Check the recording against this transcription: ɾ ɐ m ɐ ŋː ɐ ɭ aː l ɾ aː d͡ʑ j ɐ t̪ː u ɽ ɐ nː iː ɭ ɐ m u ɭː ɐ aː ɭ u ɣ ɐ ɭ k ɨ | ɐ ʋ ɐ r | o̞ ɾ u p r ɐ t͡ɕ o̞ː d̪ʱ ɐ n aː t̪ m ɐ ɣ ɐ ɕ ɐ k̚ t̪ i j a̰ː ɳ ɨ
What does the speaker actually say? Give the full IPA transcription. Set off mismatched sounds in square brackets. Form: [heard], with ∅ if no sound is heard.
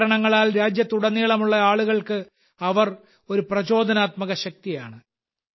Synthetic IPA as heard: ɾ ɐ [ɳ] ɐ ŋː ɐ ɭ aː l ɾ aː d͡ʑ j ɐ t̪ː u ɽ ɐ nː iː ɭ ɐ m u ɭː ɐ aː ɭ u ɣ ɐ ɭ k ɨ | ɐ ʋ ɐ r | o̞ ɾ u p r ɐ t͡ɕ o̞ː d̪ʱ ɐ n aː t̪ m ɐ ɣ ɐ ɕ ɐ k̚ t̪ i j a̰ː ɳ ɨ